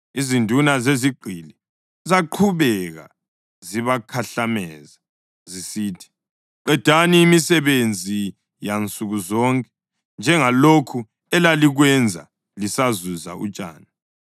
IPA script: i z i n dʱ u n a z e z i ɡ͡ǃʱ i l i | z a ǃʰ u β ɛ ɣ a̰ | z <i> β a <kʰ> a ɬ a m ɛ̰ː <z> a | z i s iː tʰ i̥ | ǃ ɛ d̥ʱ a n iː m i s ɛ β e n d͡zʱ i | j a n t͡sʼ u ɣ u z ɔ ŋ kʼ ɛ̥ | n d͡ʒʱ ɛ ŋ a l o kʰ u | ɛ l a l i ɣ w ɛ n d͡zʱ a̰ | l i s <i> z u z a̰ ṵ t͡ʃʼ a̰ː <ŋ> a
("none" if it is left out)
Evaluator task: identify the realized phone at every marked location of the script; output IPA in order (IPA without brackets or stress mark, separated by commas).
i, kʰ, z, a, n